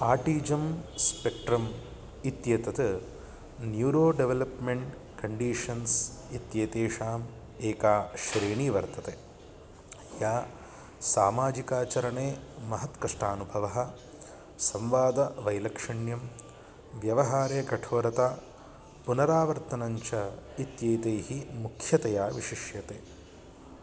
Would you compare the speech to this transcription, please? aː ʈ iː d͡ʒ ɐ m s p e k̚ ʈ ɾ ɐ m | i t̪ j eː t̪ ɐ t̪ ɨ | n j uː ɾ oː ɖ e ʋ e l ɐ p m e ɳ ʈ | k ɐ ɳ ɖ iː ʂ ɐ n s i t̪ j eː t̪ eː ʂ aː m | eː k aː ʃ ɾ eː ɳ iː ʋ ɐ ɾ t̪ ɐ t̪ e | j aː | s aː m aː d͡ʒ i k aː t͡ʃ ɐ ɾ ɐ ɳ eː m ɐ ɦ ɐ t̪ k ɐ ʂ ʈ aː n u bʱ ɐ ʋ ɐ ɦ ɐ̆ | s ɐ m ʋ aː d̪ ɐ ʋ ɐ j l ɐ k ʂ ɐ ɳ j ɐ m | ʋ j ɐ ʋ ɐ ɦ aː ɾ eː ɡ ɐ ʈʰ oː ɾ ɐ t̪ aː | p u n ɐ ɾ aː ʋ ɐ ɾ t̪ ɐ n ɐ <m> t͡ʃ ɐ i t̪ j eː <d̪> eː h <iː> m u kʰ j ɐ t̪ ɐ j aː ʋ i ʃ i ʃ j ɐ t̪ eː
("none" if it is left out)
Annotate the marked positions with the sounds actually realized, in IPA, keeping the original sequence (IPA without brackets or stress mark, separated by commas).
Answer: ɲ, t̪, i